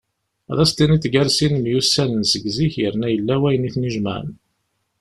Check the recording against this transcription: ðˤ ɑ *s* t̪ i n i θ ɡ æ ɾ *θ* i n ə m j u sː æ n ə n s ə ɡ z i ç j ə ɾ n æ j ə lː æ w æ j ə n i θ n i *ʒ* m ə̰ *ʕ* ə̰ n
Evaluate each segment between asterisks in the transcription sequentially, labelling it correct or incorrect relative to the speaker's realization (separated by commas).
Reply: correct, incorrect, correct, correct